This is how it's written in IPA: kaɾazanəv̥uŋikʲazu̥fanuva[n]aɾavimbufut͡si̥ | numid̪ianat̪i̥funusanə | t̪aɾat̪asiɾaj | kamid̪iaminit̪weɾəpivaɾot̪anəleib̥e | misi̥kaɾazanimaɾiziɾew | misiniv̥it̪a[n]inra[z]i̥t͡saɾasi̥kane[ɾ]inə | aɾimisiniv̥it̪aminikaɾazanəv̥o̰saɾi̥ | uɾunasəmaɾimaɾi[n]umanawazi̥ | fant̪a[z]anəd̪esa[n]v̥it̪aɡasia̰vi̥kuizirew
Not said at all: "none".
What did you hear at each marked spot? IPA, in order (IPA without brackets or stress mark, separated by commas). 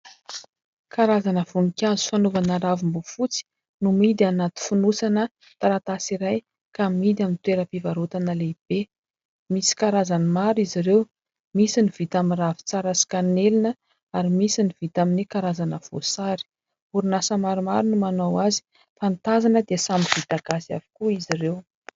n, m, v, l, n, z, m